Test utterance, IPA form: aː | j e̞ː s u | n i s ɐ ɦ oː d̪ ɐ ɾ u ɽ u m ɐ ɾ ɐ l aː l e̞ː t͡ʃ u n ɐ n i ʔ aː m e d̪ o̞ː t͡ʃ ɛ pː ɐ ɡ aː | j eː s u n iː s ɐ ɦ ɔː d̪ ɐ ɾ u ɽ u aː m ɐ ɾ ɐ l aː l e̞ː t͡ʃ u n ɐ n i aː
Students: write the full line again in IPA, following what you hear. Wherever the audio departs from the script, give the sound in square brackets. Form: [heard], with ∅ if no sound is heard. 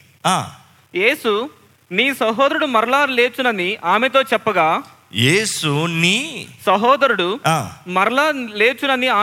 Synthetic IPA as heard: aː | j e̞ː s u | n [iː] s ɐ ɦ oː d̪ ɐ ɾ u ɽ u m ɐ ɾ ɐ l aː l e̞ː t͡ʃ u n ɐ n i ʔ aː m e [t̪] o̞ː t͡ʃ ɛ pː ɐ ɡ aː | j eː s u n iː s ɐ ɦ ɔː d̪ ɐ ɾ u ɽ u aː m ɐ ɾ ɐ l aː l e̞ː t͡ʃ u n ɐ n i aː